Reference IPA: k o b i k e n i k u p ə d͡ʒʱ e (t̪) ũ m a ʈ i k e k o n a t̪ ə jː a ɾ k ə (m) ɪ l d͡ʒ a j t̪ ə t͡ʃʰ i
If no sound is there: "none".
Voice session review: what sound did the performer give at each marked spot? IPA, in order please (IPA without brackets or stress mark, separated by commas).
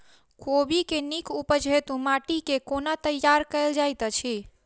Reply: t̪, none